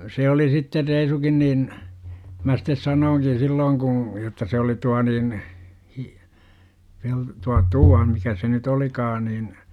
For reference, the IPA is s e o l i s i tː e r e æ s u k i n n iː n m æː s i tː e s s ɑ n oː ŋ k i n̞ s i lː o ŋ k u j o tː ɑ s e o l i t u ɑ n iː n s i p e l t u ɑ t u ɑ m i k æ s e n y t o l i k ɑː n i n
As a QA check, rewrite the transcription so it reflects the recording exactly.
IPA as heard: s e o l i s i tː e r e i s u k i n n iː n m æ s i tː e s s ɑ n oː ŋ k i n̞ s i lː oː ŋ k u j o tː ɑ s e o l i t u ɑ n iː n h i p e l t u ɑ t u ɑ m i k æ s e n y t o l i k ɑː n i n